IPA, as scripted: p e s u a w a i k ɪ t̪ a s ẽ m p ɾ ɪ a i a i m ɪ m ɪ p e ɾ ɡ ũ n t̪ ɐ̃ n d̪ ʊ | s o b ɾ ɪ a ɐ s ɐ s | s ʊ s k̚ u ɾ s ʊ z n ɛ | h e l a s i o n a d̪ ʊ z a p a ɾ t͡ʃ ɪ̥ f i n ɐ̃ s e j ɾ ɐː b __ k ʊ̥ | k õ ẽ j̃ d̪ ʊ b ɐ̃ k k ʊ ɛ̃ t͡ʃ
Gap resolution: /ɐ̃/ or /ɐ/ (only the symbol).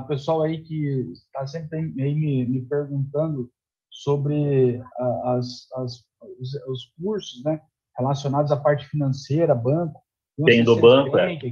ɐ̃